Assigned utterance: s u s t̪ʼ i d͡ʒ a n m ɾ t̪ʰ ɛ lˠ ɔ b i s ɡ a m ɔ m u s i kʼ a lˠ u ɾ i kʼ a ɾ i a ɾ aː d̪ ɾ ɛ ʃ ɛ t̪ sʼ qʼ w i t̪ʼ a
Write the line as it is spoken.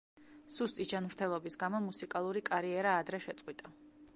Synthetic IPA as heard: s u s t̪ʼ i d͡ʒ a n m ɾ t̪ʰ ɛ lˠ ɔ b i s ɡ a m ɔ m u s i kʼ a lˠ u ɾ i kʼ a ɾ i ɛ ɾ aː d̪ ɾ ɛ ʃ ɛ t̪ sʼ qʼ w i t̪ʼ a